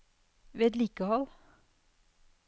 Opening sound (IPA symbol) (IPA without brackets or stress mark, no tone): ʋ